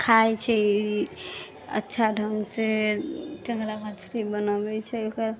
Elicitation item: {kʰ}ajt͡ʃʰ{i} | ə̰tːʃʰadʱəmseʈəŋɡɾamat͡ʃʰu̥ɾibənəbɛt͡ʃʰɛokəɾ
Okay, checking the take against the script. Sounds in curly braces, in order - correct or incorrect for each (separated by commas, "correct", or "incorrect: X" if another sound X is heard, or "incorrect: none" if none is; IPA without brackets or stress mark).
correct, incorrect: ɛ